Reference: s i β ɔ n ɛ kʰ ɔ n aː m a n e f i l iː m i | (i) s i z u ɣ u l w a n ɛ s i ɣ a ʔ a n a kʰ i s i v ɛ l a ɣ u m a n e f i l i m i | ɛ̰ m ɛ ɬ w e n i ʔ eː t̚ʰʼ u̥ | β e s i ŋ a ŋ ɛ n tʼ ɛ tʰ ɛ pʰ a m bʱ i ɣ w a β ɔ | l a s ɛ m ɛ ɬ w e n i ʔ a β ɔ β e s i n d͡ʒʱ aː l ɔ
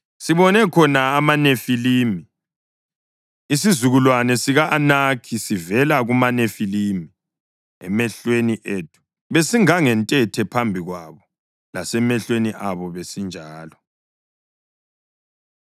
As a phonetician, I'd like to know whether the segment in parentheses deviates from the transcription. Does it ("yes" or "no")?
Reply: no